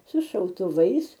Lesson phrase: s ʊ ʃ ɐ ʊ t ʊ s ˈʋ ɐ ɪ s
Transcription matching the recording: s ʊ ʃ ɐ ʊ t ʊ ˈʋ ɐ ɪ s